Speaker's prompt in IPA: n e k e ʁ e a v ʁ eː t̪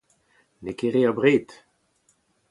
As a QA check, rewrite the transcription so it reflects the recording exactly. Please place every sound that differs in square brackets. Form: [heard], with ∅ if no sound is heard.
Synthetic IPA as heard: n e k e ʁ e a [b] ʁ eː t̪